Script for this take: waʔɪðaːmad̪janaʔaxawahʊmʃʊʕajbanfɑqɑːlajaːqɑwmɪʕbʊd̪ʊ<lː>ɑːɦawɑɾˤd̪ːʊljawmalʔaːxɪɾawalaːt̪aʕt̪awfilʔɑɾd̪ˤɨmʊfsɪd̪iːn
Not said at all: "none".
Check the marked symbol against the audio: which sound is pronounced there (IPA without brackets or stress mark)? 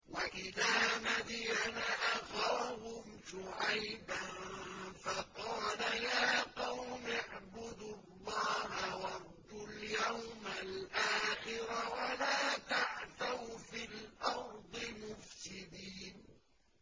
lː